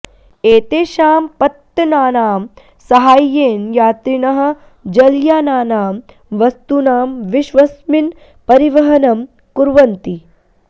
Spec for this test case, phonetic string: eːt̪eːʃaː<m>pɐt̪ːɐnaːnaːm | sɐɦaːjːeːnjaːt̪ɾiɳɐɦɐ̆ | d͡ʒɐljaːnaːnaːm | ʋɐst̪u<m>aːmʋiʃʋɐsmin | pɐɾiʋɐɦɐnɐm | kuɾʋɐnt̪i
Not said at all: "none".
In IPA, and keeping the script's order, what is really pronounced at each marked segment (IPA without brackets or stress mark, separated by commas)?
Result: m, n